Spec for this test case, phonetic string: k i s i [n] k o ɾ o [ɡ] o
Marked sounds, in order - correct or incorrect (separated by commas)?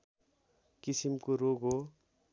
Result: incorrect, correct